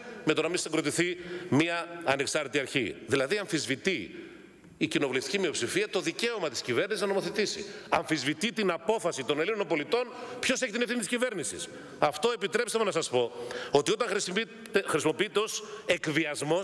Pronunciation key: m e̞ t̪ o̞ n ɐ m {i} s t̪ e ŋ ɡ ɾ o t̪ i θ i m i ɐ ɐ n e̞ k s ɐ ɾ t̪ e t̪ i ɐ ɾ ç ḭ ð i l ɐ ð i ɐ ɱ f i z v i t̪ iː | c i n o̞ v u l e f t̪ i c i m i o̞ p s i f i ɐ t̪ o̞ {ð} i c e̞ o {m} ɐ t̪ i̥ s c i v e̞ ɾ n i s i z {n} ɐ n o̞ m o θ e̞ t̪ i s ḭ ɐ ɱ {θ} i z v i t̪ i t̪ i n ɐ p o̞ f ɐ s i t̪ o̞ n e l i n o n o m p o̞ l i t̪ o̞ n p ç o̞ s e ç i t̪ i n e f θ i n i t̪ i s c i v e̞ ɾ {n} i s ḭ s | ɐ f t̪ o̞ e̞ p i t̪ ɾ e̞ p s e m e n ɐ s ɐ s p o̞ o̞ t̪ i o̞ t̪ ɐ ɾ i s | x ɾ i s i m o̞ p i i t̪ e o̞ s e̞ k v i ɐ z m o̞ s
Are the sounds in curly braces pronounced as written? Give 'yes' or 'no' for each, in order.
yes, yes, yes, yes, no, yes

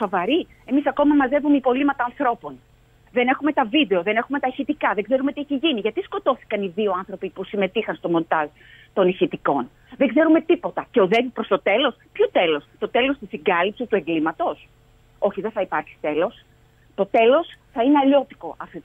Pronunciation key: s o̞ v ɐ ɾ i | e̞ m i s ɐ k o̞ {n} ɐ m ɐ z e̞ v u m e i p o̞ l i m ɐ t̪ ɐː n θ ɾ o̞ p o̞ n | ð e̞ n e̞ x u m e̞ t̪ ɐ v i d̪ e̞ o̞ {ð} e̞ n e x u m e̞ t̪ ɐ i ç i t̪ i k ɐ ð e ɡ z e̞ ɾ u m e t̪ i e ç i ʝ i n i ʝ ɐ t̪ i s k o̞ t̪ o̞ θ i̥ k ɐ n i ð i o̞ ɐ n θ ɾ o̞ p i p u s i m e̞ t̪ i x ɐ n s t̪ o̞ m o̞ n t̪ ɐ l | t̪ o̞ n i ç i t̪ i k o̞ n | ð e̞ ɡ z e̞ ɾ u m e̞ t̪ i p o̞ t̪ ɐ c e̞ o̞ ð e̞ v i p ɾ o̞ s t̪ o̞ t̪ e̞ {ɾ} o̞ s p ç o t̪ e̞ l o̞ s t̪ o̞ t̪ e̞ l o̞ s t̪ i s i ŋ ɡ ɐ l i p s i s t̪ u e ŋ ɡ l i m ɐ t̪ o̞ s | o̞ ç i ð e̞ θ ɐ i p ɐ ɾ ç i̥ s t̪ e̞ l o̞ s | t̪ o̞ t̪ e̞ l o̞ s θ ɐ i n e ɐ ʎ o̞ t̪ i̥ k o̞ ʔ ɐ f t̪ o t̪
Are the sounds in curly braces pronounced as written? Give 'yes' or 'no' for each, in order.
no, yes, no

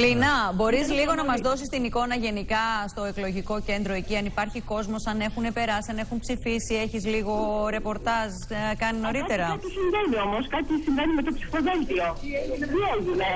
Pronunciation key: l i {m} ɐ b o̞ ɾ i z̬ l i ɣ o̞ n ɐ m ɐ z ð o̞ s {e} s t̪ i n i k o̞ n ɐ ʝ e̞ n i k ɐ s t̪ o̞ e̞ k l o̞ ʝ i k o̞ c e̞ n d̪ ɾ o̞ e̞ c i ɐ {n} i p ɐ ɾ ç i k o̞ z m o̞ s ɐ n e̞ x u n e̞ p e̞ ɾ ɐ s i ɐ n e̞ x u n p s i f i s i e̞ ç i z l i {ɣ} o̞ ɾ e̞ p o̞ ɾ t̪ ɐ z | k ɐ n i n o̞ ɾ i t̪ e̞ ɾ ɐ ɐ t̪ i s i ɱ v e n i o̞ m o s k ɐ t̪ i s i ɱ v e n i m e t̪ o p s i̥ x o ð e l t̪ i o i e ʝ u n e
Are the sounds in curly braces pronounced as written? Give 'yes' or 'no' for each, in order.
no, no, yes, yes

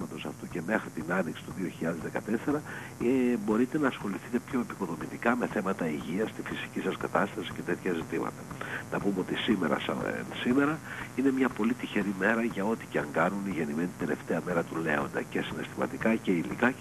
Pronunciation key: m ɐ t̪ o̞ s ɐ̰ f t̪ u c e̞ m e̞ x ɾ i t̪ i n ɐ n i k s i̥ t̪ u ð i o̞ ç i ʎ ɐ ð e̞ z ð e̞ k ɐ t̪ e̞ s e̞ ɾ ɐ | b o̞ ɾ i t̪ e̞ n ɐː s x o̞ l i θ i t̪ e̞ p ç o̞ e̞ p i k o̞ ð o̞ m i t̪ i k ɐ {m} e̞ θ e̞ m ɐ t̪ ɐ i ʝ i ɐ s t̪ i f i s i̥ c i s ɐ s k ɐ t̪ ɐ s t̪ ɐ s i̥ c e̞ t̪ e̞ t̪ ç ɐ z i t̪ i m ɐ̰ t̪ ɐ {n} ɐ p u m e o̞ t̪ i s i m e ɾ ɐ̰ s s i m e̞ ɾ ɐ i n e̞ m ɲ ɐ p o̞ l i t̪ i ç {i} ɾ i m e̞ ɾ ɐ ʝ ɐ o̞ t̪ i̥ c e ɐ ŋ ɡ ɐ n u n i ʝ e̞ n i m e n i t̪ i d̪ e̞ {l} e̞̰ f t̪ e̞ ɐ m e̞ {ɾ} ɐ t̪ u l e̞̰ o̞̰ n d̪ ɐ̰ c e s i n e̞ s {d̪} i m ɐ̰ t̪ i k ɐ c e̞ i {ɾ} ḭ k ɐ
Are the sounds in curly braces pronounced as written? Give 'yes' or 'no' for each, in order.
yes, yes, no, yes, yes, no, no

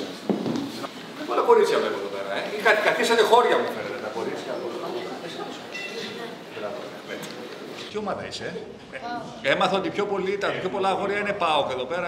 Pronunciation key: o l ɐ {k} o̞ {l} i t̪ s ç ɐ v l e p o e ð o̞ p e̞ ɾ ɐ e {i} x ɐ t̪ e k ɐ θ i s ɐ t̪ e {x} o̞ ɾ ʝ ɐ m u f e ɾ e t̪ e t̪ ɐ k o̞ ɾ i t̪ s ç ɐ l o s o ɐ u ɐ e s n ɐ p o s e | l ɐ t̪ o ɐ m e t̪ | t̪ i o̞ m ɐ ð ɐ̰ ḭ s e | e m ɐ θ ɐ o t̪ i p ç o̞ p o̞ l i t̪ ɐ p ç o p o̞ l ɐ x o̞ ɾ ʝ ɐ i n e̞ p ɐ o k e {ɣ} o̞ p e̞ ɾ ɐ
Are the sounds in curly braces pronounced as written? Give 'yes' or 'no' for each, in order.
yes, no, yes, yes, no

